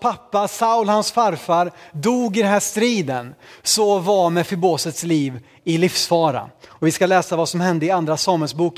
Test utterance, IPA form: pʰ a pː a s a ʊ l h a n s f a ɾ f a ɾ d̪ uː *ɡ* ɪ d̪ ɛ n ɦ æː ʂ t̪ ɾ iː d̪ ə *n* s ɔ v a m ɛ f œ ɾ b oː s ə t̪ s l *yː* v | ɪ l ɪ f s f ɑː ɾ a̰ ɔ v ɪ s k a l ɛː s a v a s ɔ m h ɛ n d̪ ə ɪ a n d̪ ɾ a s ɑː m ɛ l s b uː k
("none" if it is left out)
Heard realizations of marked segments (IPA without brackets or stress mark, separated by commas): ɡ, n, iː